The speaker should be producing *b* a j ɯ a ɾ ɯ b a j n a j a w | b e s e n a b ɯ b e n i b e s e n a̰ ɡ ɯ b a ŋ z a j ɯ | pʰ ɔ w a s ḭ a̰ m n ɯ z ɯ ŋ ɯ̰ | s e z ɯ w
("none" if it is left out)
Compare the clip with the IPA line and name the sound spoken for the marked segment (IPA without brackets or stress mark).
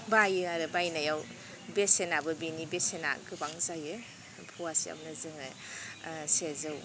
b